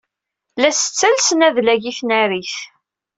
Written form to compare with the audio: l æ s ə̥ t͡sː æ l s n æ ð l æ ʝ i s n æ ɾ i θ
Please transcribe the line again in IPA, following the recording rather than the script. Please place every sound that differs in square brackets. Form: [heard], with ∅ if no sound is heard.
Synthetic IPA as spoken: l æ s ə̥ t͡sː æ l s n æ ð l æ ʝ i [θ] n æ ɾ i θ